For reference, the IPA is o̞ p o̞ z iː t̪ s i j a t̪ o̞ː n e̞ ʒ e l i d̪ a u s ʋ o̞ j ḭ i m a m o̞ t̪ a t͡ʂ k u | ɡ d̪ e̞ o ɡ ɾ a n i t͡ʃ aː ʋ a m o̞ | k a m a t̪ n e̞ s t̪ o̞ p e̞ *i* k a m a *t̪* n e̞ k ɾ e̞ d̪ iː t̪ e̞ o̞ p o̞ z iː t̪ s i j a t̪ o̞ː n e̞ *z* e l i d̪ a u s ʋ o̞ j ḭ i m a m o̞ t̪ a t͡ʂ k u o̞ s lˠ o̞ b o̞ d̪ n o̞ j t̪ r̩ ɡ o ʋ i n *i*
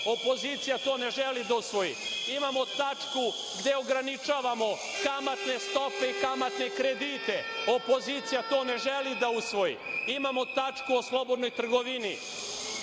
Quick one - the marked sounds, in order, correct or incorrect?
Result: correct, correct, incorrect: ʒ, correct

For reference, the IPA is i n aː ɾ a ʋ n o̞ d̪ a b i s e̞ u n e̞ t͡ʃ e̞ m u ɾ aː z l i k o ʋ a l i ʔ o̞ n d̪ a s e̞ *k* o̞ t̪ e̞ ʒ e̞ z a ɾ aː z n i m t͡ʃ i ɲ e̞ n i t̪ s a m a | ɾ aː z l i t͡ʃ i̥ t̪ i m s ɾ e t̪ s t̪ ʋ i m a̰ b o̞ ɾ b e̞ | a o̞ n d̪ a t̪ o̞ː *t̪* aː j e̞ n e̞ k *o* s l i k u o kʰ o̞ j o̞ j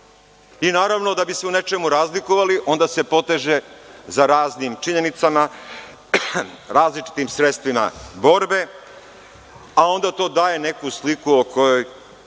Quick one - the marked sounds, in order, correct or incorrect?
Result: incorrect: p, incorrect: d̪, incorrect: u

